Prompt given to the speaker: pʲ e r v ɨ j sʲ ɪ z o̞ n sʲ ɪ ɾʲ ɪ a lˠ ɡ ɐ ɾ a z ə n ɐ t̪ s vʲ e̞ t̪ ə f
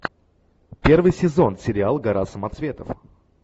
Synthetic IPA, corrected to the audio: pʲ e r v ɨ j sʲ ɪ z o̞ n sʲ ɪ ɾʲ ɪ a lˠ ɡ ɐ ɾ a s ə m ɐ t̪ s vʲ e̞ t̪ ə f